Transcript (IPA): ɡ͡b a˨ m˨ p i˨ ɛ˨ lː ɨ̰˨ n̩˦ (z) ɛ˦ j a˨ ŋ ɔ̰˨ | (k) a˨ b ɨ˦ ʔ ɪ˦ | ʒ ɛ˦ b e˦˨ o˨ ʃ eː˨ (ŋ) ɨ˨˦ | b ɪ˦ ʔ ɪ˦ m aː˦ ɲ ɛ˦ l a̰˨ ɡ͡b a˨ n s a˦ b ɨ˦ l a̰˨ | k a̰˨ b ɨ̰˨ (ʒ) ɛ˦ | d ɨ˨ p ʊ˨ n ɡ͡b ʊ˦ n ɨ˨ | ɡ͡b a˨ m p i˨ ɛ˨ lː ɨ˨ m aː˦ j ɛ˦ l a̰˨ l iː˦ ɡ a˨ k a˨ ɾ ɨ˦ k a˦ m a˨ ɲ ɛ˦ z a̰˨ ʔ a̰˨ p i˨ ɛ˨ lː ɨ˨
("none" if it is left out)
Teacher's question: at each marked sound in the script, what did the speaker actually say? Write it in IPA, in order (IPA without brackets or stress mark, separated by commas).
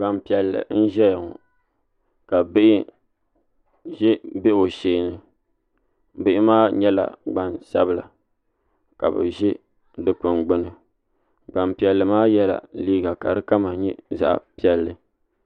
ʒ, k, n, ʒ